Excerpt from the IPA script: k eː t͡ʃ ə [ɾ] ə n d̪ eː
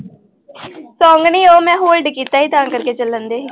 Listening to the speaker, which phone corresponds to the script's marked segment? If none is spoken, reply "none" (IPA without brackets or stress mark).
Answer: l